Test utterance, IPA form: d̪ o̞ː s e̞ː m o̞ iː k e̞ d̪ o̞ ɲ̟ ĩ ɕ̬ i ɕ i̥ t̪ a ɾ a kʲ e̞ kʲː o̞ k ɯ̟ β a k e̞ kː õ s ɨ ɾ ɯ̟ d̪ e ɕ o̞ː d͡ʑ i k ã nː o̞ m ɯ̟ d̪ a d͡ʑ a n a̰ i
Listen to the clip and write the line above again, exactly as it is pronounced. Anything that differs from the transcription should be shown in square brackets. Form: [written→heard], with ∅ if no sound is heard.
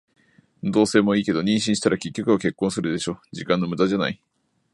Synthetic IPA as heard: d̪ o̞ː s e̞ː m o̞ iː k e̞ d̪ o̞ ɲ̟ ĩ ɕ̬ [i→ĩ] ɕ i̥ t̪ a ɾ a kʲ e̞ kʲː o̞ k ɯ̟ β a k e̞ kː õ s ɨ ɾ ɯ̟ d̪ e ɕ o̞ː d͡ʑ i k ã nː o̞ m ɯ̟ d̪ a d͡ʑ a n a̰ i

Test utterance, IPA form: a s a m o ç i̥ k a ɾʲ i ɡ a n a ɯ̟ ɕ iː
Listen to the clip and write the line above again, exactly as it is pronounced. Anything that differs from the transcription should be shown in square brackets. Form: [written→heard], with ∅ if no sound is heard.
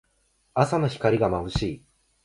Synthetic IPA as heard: a s a [m→n] o ç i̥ k a ɾʲ i ɡ a [n→m] a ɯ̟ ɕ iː

